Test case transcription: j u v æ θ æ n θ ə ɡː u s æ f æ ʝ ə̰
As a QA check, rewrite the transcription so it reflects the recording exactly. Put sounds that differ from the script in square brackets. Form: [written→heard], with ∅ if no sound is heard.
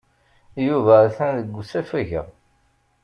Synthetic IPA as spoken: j u v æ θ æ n [θ→ð] ə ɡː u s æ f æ ʝ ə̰